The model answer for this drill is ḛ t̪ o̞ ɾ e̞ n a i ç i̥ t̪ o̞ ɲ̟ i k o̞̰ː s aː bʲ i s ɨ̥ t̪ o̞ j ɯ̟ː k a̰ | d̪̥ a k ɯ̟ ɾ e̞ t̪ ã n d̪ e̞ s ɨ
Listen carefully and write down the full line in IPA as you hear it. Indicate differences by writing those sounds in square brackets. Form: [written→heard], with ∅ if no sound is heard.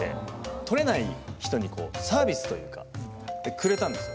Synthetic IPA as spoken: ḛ t̪ o̞ ɾ e̞ n a i ç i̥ t̪ o̞ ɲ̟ i k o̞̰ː s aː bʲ i s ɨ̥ t̪ o̞ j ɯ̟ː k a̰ | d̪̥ [a→e] k ɯ̟ ɾ e̞ t̪ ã n d̪ e̞ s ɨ